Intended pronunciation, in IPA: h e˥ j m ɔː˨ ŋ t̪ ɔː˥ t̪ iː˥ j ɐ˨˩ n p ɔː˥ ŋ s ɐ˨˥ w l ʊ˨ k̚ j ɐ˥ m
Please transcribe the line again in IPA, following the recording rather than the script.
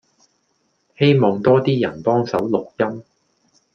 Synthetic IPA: h e˥ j m ɔː˨ ŋ t̪ ɔː˥ t̪ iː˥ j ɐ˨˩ n p ɔː˥ ŋ s ɐ˨˥ w l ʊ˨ k̚ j ɐ˥ m